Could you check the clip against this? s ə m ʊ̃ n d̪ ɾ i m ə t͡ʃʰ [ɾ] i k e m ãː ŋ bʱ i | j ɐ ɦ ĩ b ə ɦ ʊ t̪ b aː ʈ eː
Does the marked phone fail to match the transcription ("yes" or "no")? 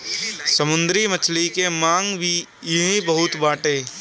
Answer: yes